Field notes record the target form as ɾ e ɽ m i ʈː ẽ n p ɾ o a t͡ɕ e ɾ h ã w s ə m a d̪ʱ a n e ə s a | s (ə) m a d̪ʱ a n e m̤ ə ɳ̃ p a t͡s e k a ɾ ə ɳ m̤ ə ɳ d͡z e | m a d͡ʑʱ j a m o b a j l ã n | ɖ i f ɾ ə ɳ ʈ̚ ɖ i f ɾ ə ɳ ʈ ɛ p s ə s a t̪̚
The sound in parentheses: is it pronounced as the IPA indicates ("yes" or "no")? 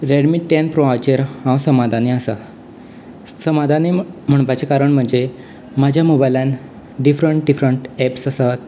yes